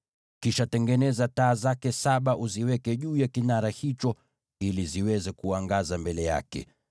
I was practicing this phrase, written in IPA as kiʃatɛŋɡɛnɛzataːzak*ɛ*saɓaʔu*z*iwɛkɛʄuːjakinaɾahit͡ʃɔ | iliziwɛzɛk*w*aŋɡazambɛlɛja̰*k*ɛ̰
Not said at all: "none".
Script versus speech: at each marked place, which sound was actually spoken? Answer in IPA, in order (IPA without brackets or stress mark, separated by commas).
ɛ, z, u, k